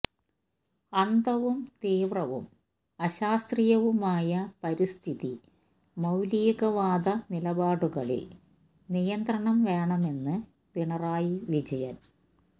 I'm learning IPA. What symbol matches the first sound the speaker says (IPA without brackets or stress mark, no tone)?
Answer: ɐ